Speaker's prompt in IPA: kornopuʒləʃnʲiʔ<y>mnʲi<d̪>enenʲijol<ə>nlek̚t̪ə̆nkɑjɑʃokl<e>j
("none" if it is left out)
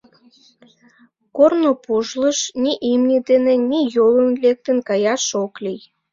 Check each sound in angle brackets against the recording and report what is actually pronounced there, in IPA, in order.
i, d̪, ə, i

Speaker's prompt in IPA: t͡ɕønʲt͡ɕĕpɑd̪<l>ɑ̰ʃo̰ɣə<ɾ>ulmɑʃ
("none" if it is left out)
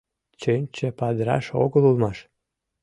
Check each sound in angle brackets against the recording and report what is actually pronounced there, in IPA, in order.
ɾ, l

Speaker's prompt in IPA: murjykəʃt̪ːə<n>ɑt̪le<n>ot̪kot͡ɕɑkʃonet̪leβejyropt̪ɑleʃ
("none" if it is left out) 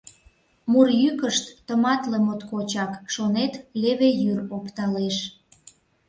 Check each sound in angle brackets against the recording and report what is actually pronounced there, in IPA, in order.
m, m

